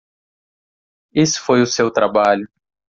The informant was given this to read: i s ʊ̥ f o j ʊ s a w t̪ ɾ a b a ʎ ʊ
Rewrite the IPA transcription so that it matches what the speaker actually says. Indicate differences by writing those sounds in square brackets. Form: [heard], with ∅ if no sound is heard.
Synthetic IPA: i s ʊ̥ f o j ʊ s [e] w t̪ ɾ a b a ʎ ʊ

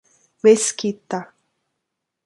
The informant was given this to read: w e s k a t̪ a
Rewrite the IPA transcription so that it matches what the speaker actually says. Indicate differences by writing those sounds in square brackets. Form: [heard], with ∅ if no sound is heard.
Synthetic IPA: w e s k [i] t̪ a

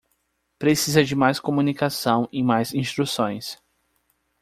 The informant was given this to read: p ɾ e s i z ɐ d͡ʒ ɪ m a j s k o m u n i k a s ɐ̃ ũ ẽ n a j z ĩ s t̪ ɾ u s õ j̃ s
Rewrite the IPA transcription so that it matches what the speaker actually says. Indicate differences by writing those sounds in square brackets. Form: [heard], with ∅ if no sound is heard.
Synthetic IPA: p ɾ e s i z ɐ d͡ʒ ɪ m a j s k o m u n i k a s ɐ̃ [w̃] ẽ [m] a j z ĩ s t̪ ɾ u s õ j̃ s

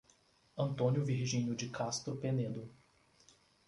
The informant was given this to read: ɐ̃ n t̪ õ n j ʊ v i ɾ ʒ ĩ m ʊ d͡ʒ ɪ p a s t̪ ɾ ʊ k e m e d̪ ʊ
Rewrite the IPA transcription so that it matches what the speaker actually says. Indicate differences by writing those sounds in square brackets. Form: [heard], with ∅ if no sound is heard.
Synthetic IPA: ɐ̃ n t̪ õ n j ʊ v i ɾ ʒ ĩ [ɲ] ʊ d͡ʒ ɪ [k] a s t̪ ɾ ʊ [p] e [n] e d̪ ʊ

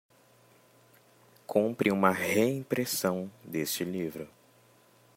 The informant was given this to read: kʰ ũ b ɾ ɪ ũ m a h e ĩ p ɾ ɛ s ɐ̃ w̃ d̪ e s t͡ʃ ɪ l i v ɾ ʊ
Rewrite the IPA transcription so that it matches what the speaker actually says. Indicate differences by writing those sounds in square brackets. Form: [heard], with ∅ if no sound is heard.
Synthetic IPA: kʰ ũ [p] ɾ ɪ ũ m [ɐ] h e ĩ p ɾ [e] s ɐ̃ w̃ d̪ e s t͡ʃ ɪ l i v ɾ ʊ

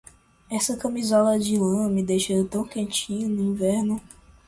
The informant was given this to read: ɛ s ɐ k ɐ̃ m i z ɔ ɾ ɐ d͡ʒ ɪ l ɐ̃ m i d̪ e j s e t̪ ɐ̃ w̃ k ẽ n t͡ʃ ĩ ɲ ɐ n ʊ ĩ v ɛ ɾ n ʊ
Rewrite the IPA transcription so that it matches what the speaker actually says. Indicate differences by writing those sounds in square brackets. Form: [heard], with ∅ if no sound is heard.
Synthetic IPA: ɛ s ɐ k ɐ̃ m i z ɔ [l] ɐ d͡ʒ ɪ l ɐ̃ m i d̪ e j [ʃ] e t̪ ɐ̃ w̃ k ẽ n t͡ʃ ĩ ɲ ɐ n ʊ ĩ v ɛ ɾ n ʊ

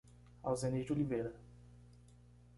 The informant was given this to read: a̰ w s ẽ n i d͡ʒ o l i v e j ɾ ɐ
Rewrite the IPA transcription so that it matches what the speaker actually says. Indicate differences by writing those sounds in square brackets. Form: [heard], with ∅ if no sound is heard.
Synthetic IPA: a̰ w [z] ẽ n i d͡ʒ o l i v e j ɾ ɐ

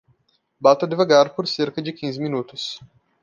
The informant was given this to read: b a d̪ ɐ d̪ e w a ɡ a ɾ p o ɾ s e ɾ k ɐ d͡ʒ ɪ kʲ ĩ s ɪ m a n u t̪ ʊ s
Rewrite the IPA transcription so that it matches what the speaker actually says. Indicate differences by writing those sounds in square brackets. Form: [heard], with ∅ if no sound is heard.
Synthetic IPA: b a [t̪] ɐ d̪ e [v] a ɡ a ɾ p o ɾ s e ɾ k ɐ d͡ʒ ɪ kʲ ĩ [z] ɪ m [i] n u t̪ ʊ s

